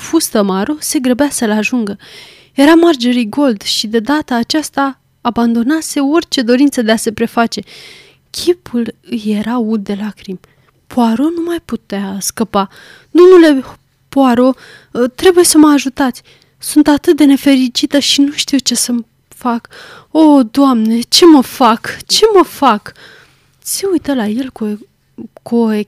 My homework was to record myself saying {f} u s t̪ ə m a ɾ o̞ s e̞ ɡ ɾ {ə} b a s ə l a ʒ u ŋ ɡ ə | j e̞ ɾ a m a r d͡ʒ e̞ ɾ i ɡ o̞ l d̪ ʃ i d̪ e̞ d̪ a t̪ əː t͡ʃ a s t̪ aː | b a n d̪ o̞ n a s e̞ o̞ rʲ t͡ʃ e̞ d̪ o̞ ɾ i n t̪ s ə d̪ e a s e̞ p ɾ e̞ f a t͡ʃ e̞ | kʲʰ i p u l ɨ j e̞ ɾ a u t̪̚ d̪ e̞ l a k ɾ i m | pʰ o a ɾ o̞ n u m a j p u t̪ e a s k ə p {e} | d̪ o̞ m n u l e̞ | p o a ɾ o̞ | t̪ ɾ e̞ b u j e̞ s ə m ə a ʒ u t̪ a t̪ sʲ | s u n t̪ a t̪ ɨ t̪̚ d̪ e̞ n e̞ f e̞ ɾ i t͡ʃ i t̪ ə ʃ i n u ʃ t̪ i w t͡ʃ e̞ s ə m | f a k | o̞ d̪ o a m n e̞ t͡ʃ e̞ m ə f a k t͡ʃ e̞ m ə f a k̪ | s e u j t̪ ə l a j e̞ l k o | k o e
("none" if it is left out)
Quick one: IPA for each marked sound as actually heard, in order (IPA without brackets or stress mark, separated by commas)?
f, ə, a